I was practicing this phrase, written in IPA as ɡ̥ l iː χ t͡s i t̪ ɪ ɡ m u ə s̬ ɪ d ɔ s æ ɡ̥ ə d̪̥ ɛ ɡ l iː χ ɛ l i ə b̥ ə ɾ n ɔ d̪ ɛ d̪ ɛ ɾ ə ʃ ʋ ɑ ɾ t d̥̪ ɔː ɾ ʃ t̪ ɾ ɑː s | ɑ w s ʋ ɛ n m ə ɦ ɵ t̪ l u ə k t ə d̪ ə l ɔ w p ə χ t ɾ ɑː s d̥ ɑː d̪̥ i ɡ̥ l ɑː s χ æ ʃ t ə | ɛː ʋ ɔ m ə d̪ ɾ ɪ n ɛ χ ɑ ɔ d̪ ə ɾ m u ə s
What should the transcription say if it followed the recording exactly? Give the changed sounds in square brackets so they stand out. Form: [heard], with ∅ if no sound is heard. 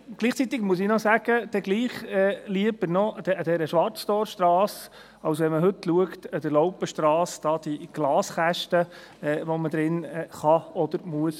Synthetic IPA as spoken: ɡ̥ l iː χ t͡s i t̪ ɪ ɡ m u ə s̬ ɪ [n] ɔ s æ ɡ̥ ə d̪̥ ɛ ɡ l iː χ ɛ l i ə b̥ ə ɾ n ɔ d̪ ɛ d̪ ɛ ɾ ə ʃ ʋ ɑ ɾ [t͡s] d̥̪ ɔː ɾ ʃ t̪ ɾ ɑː s | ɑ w s ʋ ɛ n m ə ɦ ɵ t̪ l u ə k t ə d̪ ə l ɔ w p ə [ʃ] t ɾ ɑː s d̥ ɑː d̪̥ i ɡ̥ l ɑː s χ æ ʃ t ə | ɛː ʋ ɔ m ə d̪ ɾ ɪ n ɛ χ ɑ ɔ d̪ ə ɾ m u ə s